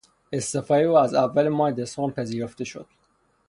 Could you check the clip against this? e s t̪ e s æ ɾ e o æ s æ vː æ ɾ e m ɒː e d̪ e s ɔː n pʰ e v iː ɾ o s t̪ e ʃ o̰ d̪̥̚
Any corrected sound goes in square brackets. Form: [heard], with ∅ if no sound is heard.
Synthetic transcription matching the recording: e s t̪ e [f] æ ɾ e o æ [z] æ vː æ [l] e m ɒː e d̪ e s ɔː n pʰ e [z] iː ɾ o [f] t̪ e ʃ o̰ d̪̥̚